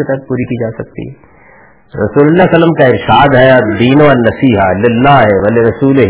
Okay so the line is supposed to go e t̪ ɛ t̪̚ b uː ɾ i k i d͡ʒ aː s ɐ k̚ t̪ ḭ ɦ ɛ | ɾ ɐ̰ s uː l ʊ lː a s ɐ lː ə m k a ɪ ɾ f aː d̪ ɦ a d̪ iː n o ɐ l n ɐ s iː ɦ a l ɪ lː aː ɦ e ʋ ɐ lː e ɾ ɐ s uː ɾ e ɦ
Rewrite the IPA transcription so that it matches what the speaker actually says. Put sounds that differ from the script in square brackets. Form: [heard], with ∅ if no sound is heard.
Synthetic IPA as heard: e t̪ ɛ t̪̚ [p] uː ɾ i k i d͡ʒ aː s ɐ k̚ t̪ ḭ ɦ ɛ | ɾ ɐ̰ s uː l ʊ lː a s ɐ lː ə m k a ɪ ɾ [ʃ] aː d̪ ɦ [ɛ] d̪ iː n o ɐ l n ɐ s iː ɦ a l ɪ lː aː ɦ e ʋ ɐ [l] e ɾ ɐ s uː [l] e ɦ